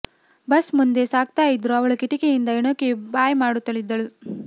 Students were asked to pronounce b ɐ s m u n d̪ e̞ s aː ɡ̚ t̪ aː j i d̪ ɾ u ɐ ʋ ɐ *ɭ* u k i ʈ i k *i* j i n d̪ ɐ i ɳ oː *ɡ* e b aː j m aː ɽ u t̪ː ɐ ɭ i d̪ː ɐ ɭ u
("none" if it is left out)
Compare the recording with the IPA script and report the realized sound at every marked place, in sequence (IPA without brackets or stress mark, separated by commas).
ɭ, e, k